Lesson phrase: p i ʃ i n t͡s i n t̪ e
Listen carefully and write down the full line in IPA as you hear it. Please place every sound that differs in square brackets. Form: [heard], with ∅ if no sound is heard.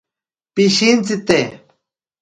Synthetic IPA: p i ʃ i n t͡s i [∅] t̪ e